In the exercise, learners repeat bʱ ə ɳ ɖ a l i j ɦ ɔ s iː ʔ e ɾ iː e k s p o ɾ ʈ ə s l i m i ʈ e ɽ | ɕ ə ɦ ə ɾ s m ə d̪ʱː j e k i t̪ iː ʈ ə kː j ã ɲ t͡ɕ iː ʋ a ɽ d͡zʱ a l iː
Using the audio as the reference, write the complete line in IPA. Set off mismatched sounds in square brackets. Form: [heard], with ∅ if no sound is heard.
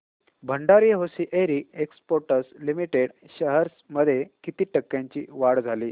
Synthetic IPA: bʱ ə ɳ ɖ a [ɾ] i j ɦ [o] s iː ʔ e ɾ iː e k s p o ɾ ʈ ə s l i m i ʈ e ɽ | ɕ ə ɦ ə ɾ s m ə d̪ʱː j e k i t̪ iː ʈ ə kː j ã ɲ t͡ɕ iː ʋ a ɽ d͡zʱ a l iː